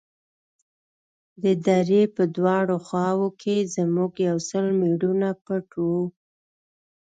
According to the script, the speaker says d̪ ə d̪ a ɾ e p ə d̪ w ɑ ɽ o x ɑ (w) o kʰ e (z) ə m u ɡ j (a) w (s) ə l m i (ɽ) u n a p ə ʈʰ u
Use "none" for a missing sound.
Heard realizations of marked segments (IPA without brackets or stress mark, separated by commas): w, z, a, s, ɽ